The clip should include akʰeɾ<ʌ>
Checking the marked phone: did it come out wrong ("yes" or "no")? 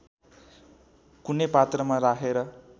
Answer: no